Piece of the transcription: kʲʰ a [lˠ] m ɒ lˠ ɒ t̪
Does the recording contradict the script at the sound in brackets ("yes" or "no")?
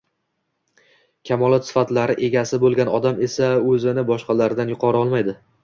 yes